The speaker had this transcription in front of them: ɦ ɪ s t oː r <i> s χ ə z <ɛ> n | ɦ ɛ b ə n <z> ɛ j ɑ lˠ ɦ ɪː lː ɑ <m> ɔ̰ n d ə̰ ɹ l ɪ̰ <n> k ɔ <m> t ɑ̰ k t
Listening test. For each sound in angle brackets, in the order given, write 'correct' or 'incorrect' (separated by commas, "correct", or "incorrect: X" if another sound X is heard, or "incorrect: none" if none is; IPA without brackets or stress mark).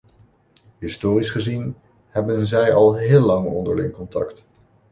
correct, incorrect: i, correct, incorrect: ŋ, incorrect: ŋ, incorrect: n